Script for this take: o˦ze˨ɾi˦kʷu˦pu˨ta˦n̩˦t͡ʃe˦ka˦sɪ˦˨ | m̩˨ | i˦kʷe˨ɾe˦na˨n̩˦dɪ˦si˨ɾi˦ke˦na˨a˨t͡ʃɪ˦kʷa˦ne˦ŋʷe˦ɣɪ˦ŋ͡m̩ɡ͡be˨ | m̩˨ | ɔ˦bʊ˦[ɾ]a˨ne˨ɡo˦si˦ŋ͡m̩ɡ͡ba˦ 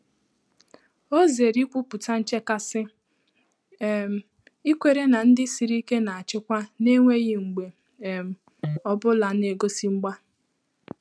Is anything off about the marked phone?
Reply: yes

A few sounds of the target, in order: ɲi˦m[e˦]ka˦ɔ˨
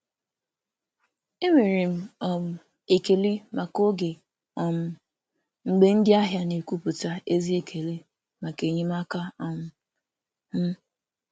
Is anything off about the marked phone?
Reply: yes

